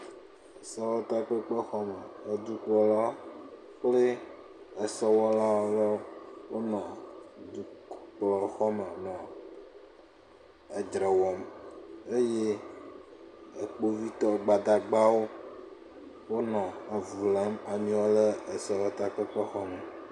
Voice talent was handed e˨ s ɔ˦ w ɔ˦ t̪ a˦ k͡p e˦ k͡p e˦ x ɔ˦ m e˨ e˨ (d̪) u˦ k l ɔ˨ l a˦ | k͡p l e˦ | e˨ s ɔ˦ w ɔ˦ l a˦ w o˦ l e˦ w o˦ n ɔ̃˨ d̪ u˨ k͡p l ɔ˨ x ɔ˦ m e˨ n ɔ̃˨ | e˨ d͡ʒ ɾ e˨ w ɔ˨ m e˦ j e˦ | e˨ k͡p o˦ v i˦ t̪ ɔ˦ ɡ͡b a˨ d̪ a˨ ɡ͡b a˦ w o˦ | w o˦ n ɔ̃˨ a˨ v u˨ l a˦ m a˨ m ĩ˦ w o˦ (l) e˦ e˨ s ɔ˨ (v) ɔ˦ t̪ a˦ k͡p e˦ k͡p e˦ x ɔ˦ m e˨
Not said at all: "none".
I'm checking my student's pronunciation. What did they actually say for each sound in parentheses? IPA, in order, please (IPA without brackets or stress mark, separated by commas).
d̪, l, w